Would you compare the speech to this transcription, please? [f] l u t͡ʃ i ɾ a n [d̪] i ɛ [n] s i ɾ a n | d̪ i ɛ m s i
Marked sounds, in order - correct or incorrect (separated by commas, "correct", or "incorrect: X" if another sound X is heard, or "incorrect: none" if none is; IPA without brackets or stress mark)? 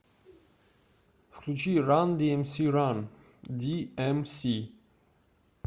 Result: correct, correct, incorrect: m